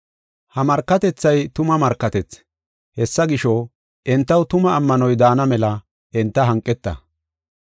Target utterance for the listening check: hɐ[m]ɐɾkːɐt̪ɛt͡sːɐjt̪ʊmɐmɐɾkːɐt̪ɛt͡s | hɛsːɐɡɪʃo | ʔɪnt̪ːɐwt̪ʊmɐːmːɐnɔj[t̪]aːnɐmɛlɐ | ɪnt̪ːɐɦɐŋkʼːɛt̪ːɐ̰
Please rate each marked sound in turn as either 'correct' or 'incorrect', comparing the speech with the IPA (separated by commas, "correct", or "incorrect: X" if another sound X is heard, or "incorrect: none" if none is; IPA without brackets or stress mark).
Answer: correct, incorrect: d̪